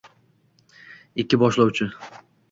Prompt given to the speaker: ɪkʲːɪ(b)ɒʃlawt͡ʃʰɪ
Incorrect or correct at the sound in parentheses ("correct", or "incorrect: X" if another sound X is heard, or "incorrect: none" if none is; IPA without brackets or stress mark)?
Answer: correct